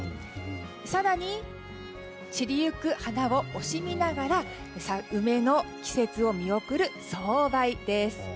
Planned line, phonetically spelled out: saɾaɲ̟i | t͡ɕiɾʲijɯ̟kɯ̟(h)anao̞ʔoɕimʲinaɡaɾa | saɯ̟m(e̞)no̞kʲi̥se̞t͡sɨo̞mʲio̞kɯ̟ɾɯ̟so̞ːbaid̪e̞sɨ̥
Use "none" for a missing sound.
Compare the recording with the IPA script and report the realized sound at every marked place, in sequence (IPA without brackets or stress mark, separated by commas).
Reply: h, e̞